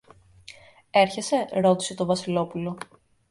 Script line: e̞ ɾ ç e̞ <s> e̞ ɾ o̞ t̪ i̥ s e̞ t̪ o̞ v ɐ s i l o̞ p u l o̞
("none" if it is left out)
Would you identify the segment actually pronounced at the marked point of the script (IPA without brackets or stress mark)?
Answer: s